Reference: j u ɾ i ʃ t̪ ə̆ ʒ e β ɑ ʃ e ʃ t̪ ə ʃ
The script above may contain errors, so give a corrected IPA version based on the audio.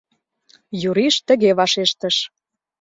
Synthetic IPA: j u ɾ i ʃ t̪ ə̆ ɣ e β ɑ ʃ e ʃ t̪ ə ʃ